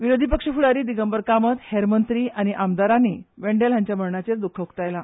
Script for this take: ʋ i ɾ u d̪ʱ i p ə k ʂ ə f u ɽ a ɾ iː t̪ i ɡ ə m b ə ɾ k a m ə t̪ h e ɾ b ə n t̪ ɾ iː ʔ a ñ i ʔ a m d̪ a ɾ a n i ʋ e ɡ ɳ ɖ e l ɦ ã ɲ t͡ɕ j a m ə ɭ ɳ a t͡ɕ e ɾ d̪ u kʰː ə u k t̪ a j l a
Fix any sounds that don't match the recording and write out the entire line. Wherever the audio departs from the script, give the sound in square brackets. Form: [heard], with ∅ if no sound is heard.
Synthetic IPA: ʋ i ɾ [o] d̪ʱ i p ə k ʂ ə f u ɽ a ɾ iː [d̪] i ɡ ə m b ə ɾ k a m ə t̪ h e ɾ [m] ə n t̪ ɾ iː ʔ a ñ i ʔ a m d̪ a ɾ a n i ʋ e [∅] ɳ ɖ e l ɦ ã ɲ t͡ɕ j a m ə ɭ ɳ a t͡ɕ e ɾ d̪ u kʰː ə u k t̪ a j l a